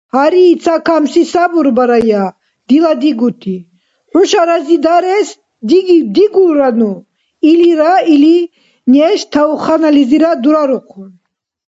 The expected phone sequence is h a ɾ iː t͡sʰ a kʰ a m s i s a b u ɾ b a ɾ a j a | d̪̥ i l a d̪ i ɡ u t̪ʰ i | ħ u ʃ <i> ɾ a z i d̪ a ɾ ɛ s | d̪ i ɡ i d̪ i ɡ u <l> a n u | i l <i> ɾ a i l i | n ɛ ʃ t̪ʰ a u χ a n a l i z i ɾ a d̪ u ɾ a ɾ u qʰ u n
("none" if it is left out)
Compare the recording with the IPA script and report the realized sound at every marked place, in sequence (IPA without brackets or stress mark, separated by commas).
a, ɾ, i